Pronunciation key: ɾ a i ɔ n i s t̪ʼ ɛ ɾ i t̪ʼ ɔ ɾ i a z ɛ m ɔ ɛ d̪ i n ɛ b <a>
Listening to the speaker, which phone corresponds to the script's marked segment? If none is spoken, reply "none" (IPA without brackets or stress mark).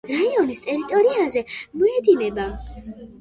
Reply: a